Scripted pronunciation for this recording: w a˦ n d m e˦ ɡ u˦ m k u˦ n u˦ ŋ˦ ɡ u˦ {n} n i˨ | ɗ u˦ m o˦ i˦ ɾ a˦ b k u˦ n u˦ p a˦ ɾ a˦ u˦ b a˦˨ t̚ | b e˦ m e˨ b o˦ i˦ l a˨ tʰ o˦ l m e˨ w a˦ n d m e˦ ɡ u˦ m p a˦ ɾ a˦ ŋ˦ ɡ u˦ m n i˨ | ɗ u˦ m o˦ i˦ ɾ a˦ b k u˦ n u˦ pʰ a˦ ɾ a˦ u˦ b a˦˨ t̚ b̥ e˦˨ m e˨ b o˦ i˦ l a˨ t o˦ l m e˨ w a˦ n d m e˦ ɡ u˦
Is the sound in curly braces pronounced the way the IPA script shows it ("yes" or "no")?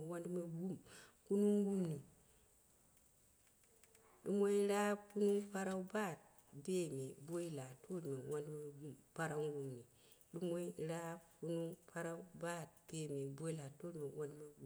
no